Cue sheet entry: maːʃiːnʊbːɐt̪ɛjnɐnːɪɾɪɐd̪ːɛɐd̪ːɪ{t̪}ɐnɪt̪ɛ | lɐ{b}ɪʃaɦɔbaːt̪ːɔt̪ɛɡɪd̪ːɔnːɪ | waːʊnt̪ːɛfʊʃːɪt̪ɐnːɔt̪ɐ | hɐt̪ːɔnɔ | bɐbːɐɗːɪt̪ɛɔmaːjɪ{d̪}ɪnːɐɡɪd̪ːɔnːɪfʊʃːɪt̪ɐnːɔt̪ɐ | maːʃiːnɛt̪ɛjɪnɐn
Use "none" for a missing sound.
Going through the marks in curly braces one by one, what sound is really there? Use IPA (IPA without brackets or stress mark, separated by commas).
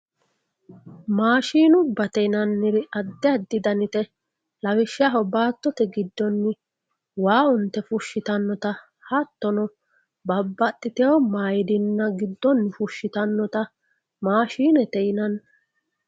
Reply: d̪, w, d̪